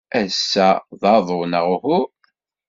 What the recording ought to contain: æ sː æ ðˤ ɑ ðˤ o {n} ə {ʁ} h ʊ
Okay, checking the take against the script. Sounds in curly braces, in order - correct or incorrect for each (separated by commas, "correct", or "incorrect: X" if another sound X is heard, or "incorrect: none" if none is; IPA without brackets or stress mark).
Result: correct, correct